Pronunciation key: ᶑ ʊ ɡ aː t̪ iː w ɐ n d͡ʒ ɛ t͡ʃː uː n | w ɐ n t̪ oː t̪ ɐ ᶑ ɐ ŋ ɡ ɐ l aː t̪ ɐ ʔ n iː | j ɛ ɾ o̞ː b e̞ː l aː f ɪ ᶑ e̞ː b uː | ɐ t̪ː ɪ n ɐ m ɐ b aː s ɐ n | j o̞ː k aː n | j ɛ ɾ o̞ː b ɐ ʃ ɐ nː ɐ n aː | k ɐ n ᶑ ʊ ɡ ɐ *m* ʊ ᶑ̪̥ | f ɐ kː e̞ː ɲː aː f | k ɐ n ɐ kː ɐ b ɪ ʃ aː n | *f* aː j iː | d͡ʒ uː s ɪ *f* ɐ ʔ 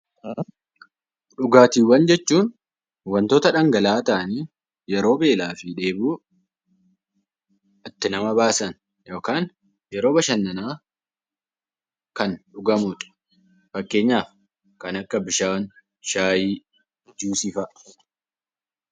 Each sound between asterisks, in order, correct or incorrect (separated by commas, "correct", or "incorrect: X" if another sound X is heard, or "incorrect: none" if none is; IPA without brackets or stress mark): correct, incorrect: ʃ, correct